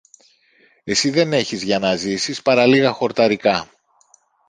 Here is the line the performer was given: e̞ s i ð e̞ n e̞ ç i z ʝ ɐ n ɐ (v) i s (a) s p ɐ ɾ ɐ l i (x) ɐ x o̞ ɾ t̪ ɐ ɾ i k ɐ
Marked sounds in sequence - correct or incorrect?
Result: incorrect: z, incorrect: i, incorrect: ɣ

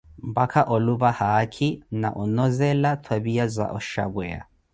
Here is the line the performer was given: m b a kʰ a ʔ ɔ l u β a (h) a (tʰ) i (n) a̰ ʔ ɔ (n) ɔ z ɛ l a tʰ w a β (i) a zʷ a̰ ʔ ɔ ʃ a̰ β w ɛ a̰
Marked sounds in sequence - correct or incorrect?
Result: correct, incorrect: kʰ, correct, correct, correct

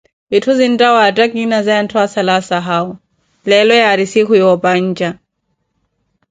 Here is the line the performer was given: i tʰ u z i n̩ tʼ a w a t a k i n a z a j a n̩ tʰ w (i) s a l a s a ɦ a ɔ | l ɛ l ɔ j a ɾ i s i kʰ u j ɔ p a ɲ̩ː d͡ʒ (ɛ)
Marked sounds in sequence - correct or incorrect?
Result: incorrect: a, incorrect: a

